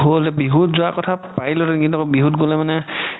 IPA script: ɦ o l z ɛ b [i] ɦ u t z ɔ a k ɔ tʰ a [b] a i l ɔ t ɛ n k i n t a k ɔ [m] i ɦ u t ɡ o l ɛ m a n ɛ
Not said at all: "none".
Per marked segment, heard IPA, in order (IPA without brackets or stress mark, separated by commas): i, p, b